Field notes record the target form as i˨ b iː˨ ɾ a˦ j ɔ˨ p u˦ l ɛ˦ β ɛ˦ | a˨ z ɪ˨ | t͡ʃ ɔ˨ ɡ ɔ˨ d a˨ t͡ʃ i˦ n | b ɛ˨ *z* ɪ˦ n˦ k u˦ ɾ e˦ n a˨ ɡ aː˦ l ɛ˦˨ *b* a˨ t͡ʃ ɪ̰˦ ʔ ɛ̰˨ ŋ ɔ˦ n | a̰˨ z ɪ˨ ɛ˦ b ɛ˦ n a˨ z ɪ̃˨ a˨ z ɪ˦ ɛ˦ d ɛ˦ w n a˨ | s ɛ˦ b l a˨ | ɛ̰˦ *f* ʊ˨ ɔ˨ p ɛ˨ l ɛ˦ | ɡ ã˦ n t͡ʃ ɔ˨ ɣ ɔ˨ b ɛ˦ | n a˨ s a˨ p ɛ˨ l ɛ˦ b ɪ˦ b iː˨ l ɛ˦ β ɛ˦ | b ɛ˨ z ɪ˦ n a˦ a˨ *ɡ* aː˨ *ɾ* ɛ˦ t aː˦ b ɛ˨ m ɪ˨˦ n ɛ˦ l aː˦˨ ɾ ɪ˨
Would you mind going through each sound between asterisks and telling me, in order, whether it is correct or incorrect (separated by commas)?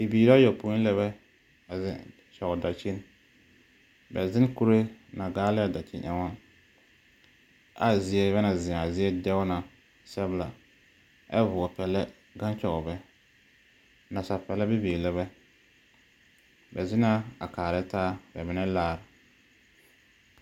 correct, incorrect, incorrect, incorrect, correct